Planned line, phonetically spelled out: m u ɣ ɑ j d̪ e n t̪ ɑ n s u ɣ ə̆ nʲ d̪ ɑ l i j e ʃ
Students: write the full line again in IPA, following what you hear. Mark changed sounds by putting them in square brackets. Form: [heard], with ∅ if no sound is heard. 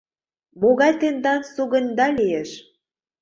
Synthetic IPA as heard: m [o] ɣ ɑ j [t̪] e n [d̪] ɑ n s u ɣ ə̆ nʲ d̪ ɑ l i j e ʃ